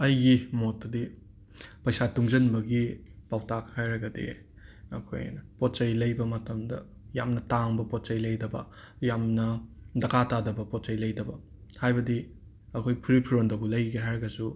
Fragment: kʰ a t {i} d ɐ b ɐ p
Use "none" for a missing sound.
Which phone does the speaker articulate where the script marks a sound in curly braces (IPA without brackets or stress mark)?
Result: a